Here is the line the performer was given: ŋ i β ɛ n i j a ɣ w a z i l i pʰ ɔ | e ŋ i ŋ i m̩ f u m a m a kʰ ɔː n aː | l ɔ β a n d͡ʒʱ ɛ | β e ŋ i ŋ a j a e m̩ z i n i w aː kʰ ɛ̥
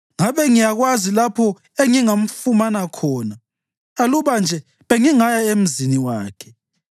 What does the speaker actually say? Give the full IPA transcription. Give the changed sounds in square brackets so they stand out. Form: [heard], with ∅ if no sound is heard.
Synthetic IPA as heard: ŋ [a] β ɛ [ŋ] i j a ɣ w a z i l [a] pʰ ɔ | e ŋ i ŋ [a] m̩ f u m a [n] a kʰ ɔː n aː | l [u] β a n d͡ʒʱ ɛ | β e ŋ i ŋ a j a e m̩ z i n i w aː kʰ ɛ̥